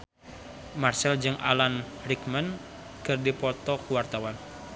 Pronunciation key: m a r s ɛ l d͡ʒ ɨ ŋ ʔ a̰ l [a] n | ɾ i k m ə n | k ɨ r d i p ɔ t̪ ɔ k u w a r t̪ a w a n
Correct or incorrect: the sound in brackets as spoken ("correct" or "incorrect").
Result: correct